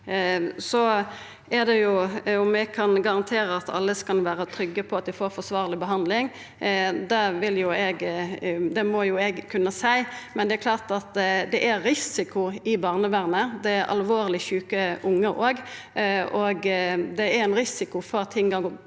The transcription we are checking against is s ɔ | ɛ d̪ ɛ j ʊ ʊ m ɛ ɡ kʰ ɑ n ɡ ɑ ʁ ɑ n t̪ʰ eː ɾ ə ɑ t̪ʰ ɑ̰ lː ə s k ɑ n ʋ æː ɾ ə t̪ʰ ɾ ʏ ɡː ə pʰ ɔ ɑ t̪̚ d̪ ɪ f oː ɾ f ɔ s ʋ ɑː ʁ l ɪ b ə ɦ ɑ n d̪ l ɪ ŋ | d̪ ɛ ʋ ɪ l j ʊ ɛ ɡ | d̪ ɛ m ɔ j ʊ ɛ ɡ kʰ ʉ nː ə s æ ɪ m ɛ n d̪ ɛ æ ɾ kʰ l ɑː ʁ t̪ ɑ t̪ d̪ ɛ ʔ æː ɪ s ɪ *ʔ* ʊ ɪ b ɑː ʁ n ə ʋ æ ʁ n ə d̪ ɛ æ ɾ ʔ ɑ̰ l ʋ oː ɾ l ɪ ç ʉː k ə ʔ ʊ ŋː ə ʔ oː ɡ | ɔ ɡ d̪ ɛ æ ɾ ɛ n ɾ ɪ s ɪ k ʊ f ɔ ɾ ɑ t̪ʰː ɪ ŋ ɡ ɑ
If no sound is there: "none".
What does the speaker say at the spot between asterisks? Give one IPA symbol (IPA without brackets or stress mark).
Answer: k